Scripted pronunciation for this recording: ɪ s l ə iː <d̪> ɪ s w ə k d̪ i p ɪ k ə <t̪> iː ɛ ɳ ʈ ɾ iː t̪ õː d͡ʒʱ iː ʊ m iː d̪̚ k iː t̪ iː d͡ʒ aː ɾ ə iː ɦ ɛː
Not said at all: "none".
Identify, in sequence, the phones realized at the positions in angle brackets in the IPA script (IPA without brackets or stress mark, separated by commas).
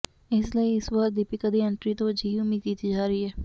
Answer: none, d̪